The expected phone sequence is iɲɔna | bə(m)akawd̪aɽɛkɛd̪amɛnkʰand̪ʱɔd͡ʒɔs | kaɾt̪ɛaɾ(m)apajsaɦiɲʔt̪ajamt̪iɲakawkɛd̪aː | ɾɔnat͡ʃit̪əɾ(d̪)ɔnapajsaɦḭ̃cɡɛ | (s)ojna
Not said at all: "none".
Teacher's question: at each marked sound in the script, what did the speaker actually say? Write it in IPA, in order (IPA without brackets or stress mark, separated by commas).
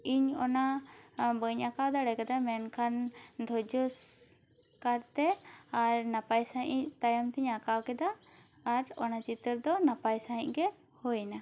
ɲ, n, d̪, h